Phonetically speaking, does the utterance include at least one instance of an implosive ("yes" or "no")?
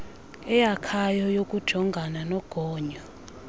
no